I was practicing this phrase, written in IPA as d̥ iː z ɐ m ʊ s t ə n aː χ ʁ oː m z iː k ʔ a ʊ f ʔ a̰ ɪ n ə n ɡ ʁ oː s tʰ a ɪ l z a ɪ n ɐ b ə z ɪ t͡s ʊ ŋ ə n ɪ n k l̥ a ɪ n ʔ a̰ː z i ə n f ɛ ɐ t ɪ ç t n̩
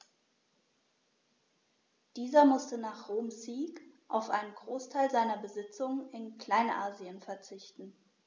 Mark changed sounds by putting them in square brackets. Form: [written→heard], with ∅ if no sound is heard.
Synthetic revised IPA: d̥ iː z ɐ m ʊ s t ə n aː χ ʁ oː m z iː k ʔ a ʊ f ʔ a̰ ɪ n ə n ɡ ʁ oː s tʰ a ɪ l z a ɪ n ɐ b ə z ɪ t͡s ʊ ŋ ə n ɪ n k l̥ a ɪ n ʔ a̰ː z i ə n f ɛ ɐ [t→t͡s] ɪ ç t n̩